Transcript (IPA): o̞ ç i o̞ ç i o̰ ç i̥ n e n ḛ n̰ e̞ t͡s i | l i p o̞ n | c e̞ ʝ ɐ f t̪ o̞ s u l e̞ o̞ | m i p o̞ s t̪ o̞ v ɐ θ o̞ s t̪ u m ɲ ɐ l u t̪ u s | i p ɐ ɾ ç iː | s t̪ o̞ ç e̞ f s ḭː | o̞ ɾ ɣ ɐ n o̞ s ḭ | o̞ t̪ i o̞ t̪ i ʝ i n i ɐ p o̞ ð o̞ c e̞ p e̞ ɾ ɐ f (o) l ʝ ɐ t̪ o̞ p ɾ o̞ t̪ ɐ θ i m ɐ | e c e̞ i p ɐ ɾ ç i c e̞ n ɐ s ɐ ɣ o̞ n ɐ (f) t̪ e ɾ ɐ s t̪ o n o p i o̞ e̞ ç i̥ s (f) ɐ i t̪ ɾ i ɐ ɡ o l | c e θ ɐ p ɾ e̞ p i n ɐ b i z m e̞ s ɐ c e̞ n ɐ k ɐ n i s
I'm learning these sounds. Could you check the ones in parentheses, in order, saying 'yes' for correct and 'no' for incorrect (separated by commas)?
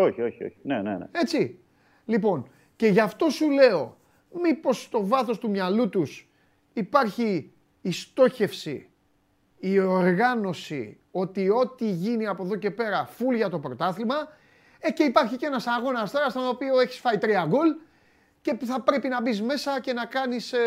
no, no, yes